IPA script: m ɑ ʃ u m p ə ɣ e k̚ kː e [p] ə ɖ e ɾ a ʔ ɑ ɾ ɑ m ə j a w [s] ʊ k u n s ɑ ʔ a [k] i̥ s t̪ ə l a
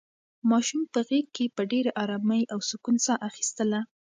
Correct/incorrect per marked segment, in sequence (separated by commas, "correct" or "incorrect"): correct, correct, incorrect